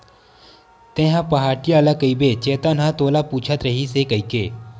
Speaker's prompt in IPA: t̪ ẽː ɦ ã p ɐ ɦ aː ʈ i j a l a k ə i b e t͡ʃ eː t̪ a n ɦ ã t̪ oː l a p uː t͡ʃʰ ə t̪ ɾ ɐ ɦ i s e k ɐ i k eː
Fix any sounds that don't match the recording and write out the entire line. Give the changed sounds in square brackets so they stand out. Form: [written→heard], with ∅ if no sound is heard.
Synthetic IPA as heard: t̪ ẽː ɦ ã p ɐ ɦ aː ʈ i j a l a k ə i b e t͡ʃ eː t̪ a n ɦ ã t̪ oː l a p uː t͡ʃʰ ə t̪ ɾ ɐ ɦ i s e k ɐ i k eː